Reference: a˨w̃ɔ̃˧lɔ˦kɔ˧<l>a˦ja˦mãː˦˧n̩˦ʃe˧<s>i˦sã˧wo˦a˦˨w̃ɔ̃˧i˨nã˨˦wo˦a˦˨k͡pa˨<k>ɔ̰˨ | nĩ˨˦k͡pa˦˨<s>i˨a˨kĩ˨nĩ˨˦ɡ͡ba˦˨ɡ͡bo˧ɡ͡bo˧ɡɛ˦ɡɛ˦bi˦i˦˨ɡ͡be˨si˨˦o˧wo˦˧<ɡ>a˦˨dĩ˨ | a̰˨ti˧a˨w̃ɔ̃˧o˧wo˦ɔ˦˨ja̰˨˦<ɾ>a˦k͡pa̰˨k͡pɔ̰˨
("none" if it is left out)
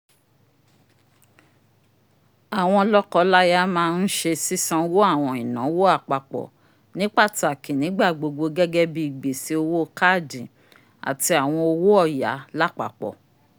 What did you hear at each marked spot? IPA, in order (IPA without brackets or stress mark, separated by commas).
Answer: l, s, k͡p, t, k, l